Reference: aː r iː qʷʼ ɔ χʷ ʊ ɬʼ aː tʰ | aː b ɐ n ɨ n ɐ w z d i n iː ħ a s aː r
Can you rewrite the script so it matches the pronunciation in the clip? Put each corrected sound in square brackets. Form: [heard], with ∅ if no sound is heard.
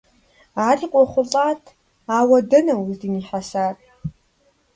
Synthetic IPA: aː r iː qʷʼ ɔ χʷ ʊ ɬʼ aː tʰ | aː [w] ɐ [d] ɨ n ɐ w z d i n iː ħ a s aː r

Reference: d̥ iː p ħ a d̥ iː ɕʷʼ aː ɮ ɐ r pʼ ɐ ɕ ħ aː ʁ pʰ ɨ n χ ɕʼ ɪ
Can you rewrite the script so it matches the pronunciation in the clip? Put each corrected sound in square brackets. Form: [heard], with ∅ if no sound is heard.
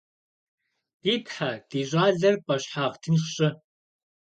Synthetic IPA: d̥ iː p ħ a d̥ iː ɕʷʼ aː ɮ ɐ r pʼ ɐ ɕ ħ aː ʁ [tʰ] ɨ n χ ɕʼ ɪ

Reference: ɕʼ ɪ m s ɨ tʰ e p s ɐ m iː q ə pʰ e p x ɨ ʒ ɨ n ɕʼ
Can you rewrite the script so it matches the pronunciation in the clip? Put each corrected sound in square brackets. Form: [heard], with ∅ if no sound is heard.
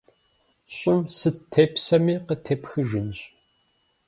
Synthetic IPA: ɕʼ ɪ m s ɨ tʰ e p s ɐ m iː q ə [tʰ] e p x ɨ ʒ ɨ n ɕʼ

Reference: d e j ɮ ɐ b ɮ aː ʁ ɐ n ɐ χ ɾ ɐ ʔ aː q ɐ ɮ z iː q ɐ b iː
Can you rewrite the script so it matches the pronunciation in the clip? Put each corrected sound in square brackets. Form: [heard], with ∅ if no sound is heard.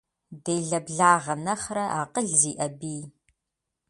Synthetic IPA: d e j ɮ ɐ b ɮ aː ʁ ɐ n ɐ χ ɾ ɐ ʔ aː q [ə] ɮ z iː [ʔ] ɐ b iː

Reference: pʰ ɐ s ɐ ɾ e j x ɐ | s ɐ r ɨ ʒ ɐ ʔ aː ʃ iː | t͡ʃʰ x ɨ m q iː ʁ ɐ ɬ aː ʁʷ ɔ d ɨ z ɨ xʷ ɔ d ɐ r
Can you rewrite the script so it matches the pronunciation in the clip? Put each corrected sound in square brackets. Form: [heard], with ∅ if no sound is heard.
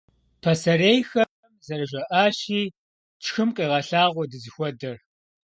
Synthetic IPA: pʰ ɐ s ɐ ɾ e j x ɐ | [z] ɐ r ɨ ʒ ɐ ʔ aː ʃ iː | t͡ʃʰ x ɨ m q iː ʁ ɐ ɬ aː ʁʷ ɔ d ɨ z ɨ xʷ ɔ d ɐ r

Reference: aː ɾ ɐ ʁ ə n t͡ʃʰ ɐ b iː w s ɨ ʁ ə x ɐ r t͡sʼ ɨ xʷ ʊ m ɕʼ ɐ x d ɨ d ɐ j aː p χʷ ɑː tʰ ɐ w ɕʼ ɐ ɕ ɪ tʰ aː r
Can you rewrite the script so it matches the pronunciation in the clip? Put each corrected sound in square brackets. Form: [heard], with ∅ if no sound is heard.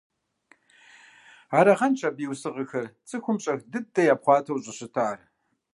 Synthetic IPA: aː ɾ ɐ ʁ [ɐ] n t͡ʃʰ ɐ b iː w s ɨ ʁ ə x ɐ r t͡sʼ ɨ xʷ ʊ m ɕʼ ɐ x d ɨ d ɐ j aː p χʷ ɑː tʰ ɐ w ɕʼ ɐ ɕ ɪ tʰ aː r

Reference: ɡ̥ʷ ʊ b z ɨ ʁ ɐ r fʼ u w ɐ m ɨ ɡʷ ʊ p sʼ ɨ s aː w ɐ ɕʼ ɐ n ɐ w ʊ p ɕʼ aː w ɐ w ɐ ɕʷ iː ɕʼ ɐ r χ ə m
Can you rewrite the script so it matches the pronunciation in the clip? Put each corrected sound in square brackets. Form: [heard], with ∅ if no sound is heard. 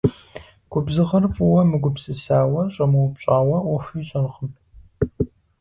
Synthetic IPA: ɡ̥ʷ ʊ b z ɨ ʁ ɐ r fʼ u w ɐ m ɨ ɡʷ ʊ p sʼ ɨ s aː w ɐ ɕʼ ɐ [m] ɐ w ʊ p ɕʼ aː w ɐ w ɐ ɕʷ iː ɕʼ ɐ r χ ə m

